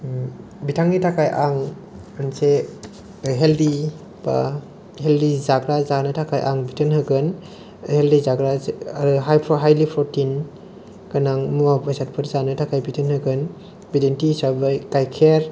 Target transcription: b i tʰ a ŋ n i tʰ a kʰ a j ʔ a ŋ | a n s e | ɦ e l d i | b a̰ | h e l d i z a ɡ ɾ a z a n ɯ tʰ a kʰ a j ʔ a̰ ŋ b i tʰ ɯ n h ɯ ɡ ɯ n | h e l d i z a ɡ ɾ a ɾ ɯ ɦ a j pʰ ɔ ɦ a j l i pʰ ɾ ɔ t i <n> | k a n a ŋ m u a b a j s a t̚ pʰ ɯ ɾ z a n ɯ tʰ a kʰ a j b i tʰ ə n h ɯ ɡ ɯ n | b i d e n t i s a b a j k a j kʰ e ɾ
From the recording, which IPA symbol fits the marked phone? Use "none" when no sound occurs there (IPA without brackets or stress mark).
n